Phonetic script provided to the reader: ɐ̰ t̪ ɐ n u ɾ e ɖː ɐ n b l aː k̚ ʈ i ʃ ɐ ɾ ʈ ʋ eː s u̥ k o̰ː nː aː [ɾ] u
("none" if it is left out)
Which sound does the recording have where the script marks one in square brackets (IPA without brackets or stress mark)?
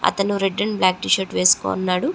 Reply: ɽ